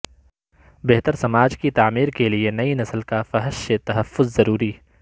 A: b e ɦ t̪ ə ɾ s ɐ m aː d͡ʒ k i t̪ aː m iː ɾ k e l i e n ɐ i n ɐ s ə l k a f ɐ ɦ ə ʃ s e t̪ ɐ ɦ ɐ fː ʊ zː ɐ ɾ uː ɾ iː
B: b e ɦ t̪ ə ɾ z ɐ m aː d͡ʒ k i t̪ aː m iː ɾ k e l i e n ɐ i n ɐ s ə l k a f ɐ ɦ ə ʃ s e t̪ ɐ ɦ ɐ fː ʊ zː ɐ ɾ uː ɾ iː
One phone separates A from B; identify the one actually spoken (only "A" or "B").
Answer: A